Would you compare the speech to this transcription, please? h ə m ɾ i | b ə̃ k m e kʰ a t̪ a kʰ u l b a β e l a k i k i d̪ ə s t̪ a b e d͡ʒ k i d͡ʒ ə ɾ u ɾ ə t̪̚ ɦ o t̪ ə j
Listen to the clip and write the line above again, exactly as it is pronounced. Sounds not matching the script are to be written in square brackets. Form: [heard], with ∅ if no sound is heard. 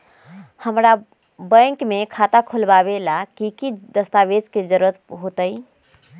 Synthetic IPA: h ə m ɾ [a] | b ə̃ k m e kʰ a t̪ a kʰ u l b a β e l a k i k i d̪ ə s t̪ a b e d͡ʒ k [e] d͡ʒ ə ɾ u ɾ ə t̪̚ ɦ o t̪ ə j